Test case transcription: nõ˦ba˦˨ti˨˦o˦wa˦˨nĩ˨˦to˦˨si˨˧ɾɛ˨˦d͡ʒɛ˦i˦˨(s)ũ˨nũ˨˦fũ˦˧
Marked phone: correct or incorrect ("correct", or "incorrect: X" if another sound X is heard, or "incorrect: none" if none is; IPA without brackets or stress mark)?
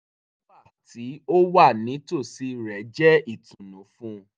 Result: incorrect: t